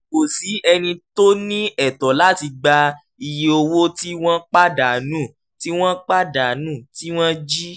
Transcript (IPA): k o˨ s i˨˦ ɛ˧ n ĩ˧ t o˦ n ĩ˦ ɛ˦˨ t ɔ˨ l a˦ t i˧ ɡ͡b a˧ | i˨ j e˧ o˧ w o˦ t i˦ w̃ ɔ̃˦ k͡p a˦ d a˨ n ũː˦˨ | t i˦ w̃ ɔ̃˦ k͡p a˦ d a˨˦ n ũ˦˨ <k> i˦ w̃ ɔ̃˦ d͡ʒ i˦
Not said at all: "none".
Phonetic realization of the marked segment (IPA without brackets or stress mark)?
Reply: t